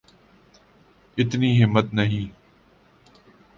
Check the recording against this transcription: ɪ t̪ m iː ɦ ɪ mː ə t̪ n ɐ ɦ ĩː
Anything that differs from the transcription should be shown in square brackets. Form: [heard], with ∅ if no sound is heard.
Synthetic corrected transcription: ɪ t̪ [n] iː ɦ ɪ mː ə t̪ n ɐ ɦ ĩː